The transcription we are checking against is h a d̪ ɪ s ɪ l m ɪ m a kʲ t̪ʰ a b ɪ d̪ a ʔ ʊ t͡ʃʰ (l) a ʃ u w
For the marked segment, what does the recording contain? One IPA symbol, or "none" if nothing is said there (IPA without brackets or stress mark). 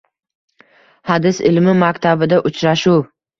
ɾ